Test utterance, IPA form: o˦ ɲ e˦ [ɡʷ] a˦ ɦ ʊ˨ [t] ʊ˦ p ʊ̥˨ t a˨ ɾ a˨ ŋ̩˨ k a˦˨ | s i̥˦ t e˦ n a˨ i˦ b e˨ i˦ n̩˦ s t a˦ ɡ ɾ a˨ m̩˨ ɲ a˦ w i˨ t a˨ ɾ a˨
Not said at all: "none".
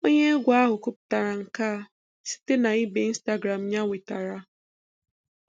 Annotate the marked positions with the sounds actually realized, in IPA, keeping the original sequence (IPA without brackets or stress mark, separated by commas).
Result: ɡʷ, k